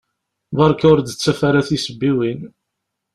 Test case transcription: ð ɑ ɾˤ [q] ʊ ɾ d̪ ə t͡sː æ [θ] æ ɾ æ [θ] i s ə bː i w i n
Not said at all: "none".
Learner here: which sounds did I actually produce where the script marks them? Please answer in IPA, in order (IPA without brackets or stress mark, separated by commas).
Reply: k, f, θ